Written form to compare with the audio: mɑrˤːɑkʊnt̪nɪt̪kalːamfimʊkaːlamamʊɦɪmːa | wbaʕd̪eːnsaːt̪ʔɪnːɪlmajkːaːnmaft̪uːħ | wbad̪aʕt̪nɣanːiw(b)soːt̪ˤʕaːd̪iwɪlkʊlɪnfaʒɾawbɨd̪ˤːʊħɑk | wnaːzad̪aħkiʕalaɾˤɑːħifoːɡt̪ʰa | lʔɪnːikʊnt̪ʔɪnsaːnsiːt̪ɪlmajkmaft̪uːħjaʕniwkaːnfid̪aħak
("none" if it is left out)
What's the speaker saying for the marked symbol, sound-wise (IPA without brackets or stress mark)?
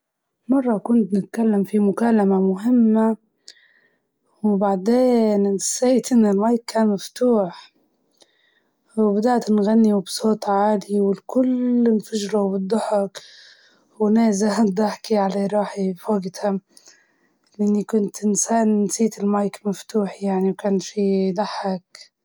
b